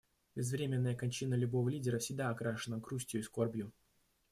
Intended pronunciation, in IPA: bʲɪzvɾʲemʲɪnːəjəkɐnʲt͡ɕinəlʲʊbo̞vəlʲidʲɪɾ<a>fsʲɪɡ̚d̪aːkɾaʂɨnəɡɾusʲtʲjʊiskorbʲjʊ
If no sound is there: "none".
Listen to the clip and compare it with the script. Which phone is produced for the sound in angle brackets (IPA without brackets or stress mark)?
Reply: ə